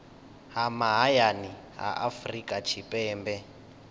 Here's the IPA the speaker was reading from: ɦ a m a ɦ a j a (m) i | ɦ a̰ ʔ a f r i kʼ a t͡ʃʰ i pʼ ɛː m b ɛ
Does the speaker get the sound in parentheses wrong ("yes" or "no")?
yes